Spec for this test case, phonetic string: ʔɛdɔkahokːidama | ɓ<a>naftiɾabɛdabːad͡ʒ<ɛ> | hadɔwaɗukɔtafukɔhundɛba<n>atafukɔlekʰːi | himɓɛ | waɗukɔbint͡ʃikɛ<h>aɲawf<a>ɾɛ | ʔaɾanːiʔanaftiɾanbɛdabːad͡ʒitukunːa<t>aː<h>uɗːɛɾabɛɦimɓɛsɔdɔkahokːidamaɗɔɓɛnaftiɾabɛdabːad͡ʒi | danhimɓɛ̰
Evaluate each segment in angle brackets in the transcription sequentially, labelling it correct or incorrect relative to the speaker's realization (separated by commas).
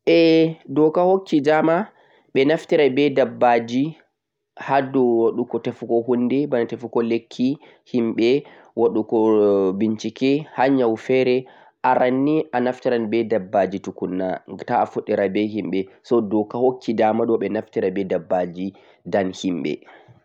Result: incorrect, incorrect, correct, correct, incorrect, correct, incorrect